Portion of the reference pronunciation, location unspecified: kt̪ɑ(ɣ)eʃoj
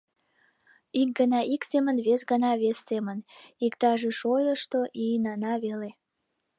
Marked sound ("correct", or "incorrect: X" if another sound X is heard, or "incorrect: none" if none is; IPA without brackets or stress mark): incorrect: ʒ